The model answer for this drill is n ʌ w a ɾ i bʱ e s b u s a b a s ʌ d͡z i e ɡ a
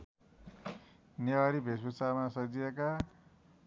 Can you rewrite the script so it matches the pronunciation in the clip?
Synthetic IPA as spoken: n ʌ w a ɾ i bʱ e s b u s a m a s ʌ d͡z i e k a